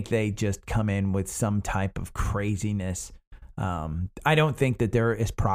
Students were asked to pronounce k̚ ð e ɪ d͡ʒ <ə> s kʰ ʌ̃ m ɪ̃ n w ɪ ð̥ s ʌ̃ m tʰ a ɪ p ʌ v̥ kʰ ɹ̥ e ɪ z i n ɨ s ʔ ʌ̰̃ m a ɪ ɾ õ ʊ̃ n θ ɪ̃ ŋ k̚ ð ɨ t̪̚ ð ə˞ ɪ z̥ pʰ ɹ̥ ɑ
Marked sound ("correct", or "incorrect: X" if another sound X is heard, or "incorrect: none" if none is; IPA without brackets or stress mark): incorrect: ʌ